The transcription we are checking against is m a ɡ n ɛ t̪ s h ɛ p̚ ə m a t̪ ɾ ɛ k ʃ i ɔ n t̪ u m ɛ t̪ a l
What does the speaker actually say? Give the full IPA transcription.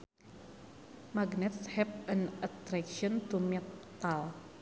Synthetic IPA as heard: m a ɡ n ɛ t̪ s h ɛ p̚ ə n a t̪ ɾ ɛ k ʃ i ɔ n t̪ u m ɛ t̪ a l

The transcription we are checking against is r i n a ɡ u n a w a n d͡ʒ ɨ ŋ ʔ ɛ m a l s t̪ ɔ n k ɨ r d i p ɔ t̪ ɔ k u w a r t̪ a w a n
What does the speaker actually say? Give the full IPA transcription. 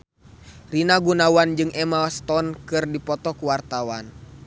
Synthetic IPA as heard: r i n a ɡ u n a w a n d͡ʒ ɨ ŋ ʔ ɛ m a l s t̪ ɔ n k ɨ r d i p ɔ t̪ ɔ k u w a r t̪ a w a n

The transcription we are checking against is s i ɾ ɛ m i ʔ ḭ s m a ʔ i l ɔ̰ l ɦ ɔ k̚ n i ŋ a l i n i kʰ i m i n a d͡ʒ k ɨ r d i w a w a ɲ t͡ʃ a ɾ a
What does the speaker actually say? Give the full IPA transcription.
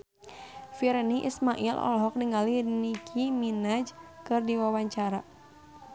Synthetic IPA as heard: f i ɾ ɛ n i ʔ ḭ s m a ʔ i l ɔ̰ l ɦ ɔ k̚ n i ŋ a l i n i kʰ i m i n a d͡ʒ k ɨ r d i w a w a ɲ t͡ʃ a ɾ a

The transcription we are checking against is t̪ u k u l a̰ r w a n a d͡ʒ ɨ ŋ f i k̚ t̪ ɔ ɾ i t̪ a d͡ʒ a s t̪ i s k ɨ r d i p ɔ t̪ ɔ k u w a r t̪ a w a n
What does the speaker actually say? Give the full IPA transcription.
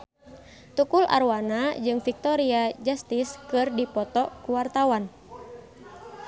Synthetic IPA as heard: t̪ u k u l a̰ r w a n a d͡ʒ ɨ ŋ f i k̚ t̪ ɔ ɾ i a d͡ʒ a s t̪ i s k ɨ r d i p ɔ t̪ ɔ k u w a r t̪ a w a n

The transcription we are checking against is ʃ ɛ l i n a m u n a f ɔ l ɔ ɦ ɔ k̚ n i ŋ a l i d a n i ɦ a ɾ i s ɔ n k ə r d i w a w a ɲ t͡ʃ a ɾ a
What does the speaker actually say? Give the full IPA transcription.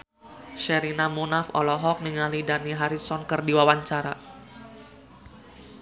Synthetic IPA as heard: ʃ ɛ ɾ i n a m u n a f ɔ l ɔ ɦ ɔ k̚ n i ŋ a l i d a n i ɦ a ɾ i s ɔ n k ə r d i w a w a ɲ t͡ʃ a ɾ a

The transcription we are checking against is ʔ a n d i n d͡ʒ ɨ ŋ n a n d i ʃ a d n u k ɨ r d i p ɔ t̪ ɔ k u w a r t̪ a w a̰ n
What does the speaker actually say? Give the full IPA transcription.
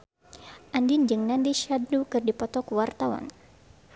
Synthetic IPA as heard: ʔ a n d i n d͡ʒ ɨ ŋ n a n d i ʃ a d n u k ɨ r d i p ɔ t̪ ɔ k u w a r t̪ a w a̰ n

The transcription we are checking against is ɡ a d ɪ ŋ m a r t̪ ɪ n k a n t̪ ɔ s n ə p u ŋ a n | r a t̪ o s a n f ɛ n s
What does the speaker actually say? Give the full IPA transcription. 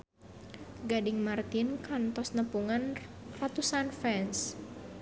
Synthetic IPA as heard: ɡ a d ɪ ŋ m a r t̪ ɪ n k a n t̪ ɔ s n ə p u ŋ a n | r a t̪ u s a n f ɛ n s

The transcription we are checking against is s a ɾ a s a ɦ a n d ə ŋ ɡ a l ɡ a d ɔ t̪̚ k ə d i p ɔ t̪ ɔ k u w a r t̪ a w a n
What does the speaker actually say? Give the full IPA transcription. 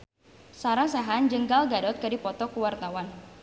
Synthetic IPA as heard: s a ɾ a s a ɦ a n d͡ʒ ə ŋ ɡ a l ɡ a d ɔ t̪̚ k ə d i p ɔ t̪ ɔ k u w a r t̪ a w a n

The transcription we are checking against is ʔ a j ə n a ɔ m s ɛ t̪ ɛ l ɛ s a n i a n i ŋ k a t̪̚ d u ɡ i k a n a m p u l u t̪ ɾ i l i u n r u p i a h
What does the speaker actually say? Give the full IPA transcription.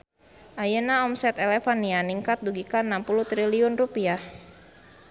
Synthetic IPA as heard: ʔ a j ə n a ɔ m s ɛ t̪ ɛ l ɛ f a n i a n i ŋ k a t̪̚ d u ɡ i k a n a m p u l u t̪ ɾ i l i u n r u p i a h

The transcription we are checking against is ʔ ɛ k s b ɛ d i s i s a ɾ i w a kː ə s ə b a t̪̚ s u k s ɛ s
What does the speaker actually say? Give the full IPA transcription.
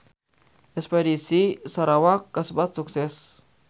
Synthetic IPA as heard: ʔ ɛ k s p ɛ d i s i s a ɾ a w a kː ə s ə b a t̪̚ s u k s ɛ s

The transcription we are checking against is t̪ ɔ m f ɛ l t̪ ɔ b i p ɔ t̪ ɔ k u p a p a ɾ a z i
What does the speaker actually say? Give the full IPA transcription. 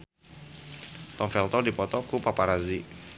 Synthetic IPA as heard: t̪ ɔ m f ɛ l t̪ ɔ d i p ɔ t̪ ɔ k u p a p a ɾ a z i

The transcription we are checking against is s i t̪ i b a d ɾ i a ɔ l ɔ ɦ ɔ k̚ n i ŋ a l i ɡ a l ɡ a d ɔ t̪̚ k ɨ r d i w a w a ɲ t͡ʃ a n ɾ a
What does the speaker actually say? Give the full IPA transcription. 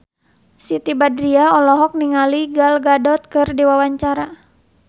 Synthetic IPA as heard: s i t̪ i b a d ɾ i a ɔ l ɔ ɦ ɔ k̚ n i ŋ a l i ɡ a l ɡ a d ɔ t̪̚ k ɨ r d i w a w a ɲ t͡ʃ a ɾ a

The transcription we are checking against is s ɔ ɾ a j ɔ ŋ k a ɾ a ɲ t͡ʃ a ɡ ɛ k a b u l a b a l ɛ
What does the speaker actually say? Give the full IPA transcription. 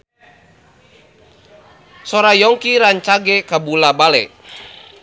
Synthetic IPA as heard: s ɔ ɾ a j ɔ ŋ k i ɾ a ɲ t͡ʃ a ɡ ɛ k a b u l a b a l ɛ

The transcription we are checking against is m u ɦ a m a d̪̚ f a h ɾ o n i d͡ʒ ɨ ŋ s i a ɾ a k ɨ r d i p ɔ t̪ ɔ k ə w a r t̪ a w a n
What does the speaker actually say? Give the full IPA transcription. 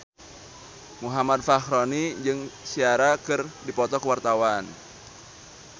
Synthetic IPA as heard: m u ɦ a m a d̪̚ f a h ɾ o n i d͡ʒ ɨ ŋ s i a ɾ a k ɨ r d i p ɔ t̪ ɔ k ə w a r t̪ a w a n

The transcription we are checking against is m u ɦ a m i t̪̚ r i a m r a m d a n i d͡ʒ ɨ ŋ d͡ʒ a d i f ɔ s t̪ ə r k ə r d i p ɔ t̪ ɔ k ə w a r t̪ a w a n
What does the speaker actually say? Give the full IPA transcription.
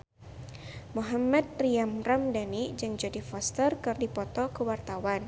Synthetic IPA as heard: m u ɦ a m a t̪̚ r i a m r a m d a n i d͡ʒ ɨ ŋ d͡ʒ a d i f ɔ s t̪ ə r k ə r d i p ɔ t̪ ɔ k ə w a r t̪ a w a n

